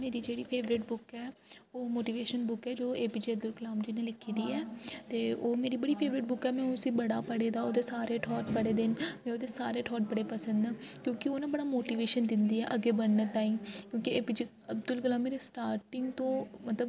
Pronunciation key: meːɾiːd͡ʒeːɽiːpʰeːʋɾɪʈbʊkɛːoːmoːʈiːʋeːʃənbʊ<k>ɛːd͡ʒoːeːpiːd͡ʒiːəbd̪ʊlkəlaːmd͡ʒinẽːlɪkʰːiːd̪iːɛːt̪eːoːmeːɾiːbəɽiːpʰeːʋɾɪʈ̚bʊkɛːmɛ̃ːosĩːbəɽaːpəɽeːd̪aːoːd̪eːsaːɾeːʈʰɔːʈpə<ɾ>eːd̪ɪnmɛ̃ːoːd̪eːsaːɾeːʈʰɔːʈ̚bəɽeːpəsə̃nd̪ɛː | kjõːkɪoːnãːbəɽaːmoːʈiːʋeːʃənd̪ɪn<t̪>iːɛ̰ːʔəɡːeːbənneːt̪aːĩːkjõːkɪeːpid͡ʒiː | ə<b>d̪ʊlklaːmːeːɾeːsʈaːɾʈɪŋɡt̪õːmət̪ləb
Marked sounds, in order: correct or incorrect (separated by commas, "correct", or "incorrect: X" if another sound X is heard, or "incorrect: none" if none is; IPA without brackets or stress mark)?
correct, incorrect: ɽ, incorrect: d̪, correct